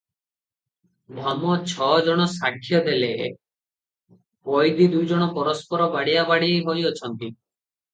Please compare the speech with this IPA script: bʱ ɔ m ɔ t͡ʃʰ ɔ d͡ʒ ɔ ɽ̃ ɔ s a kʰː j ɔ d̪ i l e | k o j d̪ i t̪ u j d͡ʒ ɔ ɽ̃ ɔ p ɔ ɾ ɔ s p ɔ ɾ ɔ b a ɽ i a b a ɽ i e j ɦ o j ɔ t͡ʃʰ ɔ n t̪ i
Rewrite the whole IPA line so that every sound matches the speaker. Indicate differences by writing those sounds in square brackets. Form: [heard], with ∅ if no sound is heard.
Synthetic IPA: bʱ ɔ m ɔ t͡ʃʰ ɔ d͡ʒ ɔ ɽ̃ ɔ s a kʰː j ɔ d̪ [e] l e | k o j d̪ i [d̪] u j d͡ʒ ɔ ɽ̃ ɔ p ɔ ɾ ɔ s p ɔ ɾ ɔ b a ɽ i a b a ɽ i e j ɦ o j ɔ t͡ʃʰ ɔ n t̪ i